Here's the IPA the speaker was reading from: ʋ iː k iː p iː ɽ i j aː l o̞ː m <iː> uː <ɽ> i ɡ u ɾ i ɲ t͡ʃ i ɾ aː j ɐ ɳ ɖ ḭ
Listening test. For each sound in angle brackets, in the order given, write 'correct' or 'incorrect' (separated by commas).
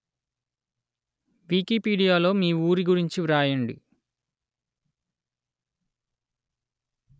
correct, incorrect